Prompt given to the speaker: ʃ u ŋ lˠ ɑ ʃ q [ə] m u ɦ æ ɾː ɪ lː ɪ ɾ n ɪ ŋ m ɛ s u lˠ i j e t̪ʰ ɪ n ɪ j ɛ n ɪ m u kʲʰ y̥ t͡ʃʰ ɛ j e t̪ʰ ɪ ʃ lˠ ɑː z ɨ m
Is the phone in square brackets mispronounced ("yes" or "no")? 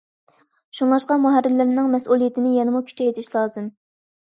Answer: yes